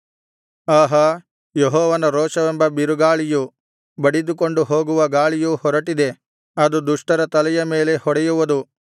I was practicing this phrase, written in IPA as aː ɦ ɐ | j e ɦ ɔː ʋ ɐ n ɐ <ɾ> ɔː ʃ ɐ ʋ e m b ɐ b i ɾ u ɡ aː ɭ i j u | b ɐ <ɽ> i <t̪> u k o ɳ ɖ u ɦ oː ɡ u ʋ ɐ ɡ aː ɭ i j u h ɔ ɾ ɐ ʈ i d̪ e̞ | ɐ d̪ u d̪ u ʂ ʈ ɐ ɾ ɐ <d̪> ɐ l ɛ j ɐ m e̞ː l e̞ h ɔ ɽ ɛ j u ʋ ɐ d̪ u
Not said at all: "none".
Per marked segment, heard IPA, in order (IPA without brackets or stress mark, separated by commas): ɾ, ɽ, d̪, t̪